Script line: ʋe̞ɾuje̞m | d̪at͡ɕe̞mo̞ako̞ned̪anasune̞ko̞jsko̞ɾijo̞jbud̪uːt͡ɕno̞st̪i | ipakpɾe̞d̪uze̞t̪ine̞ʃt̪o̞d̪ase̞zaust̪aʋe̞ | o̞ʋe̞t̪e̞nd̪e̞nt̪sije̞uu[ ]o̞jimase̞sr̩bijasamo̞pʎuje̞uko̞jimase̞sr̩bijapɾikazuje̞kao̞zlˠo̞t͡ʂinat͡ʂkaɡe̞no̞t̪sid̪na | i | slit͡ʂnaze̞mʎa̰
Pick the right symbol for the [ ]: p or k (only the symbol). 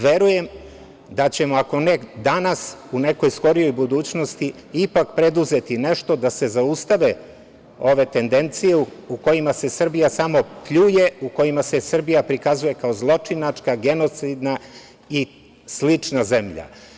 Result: k